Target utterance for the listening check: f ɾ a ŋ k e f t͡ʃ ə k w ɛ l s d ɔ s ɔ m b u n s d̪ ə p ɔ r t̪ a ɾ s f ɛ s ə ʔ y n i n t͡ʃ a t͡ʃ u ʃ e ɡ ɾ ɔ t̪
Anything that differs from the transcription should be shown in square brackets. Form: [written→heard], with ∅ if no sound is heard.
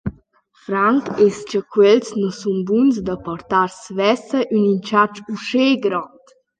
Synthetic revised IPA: f ɾ a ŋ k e [f→s] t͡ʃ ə k w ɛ l s [d→n] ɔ s [ɔ→u] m b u n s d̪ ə p ɔ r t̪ a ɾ s [f→v] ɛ s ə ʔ y n i n t͡ʃ a t͡ʃ u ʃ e ɡ ɾ ɔ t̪